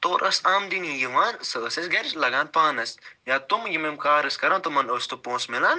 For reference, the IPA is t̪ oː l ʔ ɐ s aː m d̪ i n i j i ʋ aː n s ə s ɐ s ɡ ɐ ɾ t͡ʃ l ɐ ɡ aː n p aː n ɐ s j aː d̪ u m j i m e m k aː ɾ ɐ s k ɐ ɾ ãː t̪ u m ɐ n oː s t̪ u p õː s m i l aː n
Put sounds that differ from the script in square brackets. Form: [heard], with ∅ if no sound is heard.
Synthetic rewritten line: t̪ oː [ɾ] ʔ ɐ s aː m d̪ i n i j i ʋ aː n s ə s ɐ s ɡ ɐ ɾ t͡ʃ l ɐ ɡ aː n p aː n ɐ s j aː [t̪] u m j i m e m k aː ɾ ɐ s k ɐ ɾ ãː t̪ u m ɐ n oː s t̪ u p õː s m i l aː n